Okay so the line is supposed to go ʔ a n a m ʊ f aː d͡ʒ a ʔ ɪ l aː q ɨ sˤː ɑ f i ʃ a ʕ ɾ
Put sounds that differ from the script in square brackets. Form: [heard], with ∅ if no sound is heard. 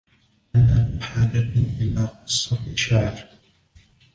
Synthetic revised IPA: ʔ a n a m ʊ [ħ] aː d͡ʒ a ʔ ɪ l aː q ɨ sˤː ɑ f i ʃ a ʕ ɾ